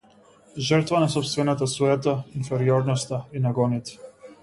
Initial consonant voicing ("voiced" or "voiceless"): voiced